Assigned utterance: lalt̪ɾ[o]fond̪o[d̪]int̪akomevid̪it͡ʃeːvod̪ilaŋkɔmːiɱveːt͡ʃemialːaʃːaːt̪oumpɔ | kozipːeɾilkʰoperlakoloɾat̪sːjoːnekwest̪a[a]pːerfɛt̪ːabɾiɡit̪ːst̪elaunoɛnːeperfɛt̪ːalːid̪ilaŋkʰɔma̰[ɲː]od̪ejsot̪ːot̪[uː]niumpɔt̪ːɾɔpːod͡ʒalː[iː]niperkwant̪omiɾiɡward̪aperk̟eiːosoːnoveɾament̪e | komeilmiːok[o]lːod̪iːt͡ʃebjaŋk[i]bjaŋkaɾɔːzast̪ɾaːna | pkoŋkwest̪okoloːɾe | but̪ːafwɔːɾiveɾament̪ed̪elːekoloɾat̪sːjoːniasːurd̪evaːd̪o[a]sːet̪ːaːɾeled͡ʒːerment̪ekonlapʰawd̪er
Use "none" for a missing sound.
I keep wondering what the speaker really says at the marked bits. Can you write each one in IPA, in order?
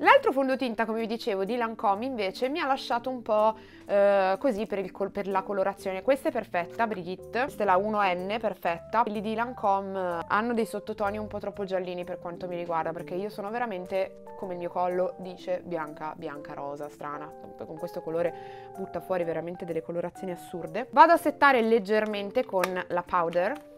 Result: o, t̪, ɛ, nː, ɔː, iː, ɔ, a, a

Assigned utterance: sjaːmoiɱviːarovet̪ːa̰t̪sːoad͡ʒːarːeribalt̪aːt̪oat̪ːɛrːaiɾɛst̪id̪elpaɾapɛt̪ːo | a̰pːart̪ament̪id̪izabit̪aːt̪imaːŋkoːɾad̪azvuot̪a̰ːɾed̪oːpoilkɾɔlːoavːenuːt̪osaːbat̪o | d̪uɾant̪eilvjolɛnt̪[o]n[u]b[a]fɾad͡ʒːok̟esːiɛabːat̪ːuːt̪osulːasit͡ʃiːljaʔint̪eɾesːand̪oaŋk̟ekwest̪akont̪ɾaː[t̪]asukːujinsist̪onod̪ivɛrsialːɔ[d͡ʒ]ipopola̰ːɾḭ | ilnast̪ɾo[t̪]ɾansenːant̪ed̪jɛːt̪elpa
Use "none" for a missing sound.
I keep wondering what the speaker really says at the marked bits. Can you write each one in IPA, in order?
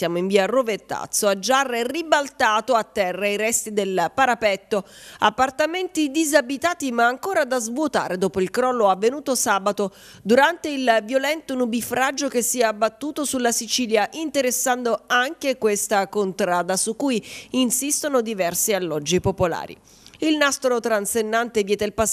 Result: o, u, i, d̪, d͡ʒː, t̪

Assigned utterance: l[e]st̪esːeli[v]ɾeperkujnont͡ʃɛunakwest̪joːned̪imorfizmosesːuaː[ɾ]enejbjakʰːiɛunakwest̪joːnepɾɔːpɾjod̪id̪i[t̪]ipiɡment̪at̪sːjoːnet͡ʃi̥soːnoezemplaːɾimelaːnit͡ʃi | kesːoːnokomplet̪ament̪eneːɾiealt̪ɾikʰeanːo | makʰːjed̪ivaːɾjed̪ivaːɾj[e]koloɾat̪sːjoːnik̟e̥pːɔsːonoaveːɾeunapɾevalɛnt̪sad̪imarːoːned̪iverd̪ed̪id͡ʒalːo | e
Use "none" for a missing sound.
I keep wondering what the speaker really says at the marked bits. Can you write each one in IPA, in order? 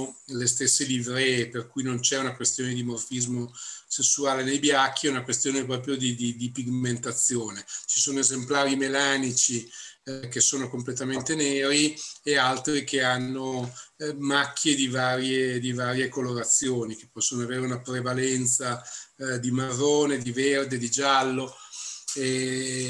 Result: e, v, l, d̪, e

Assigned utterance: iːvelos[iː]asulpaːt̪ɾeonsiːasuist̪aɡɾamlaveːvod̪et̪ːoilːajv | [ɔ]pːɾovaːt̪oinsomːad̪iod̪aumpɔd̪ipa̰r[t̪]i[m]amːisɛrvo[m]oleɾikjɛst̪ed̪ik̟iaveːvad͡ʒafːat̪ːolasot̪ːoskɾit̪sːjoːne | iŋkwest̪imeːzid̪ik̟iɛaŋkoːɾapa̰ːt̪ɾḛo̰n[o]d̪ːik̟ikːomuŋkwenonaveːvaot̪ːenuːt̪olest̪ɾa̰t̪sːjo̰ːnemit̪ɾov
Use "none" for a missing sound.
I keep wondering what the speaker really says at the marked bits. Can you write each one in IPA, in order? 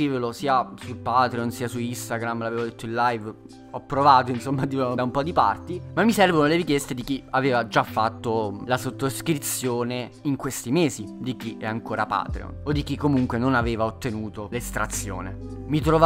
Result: iː, ɔ, t̪, m, n, o

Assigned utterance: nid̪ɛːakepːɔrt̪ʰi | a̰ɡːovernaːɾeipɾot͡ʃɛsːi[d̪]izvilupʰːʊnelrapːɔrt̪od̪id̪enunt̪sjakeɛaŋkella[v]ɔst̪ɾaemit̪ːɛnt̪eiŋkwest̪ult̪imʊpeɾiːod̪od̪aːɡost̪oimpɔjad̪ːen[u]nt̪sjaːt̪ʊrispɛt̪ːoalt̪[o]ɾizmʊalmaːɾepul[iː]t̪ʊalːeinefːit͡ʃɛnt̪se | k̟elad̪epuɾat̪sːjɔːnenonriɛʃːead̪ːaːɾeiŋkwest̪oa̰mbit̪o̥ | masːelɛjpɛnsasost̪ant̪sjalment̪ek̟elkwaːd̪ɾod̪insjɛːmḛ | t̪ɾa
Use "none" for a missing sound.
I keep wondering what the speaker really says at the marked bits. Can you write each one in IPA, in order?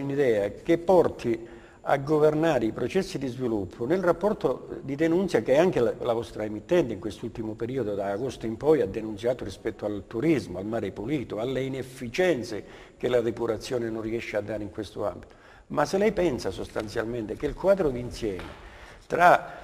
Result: d̪, v, u, u, iː

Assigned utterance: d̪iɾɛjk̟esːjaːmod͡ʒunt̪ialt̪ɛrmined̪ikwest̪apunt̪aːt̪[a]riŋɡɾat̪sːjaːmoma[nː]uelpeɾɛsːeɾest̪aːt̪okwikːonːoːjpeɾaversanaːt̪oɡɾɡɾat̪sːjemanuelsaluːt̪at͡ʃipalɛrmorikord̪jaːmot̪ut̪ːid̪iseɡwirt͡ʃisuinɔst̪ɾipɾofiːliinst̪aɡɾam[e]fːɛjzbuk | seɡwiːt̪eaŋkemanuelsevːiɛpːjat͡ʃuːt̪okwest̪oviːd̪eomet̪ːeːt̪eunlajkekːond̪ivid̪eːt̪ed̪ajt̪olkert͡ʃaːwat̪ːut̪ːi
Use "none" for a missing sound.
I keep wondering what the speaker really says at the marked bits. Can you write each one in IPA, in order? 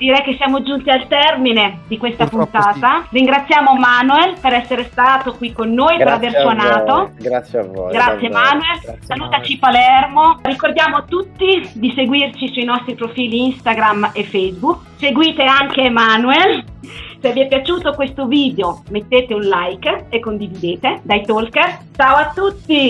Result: a, n, e

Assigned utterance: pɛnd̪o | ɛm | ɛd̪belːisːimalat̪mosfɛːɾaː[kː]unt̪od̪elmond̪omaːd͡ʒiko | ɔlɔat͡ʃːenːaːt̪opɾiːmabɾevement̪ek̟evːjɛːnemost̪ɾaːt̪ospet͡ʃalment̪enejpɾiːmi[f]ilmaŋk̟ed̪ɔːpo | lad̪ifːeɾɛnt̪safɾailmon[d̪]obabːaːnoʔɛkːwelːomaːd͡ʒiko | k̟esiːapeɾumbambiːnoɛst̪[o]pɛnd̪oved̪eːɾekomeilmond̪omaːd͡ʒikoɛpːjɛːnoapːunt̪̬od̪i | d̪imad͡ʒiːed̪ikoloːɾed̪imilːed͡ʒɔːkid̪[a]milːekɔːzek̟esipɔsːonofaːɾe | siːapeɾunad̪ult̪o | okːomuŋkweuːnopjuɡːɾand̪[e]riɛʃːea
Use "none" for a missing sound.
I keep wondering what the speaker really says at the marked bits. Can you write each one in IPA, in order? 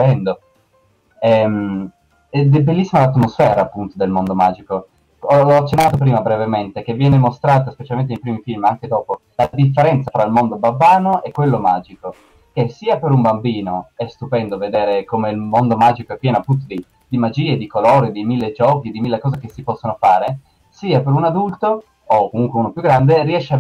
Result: pː, f, d̪, u, i, e

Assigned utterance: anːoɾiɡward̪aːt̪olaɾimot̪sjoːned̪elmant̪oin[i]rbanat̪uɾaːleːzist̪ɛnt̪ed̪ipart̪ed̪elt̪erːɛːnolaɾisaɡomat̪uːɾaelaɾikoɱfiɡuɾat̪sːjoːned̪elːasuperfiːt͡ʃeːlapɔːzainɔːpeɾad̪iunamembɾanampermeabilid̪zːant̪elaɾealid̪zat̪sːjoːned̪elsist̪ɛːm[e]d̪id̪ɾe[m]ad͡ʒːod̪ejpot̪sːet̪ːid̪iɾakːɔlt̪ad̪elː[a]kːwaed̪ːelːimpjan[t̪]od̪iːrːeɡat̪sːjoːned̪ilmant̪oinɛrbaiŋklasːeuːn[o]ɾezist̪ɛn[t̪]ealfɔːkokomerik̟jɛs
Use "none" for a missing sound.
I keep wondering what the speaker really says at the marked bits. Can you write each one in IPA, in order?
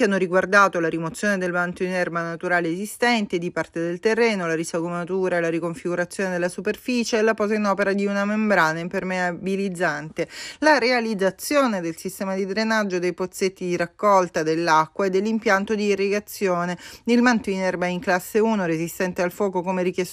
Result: ɛ, a, n, a, t̪, o, t̪

